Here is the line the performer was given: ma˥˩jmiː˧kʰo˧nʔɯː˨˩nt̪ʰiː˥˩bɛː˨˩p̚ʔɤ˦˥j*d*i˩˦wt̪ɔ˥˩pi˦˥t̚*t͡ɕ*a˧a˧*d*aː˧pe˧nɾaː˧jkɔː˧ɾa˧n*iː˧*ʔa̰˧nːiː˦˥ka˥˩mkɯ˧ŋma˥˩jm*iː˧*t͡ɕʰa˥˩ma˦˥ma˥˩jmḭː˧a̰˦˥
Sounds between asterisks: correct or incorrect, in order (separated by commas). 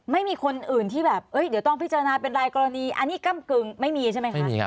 correct, correct, incorrect, correct, correct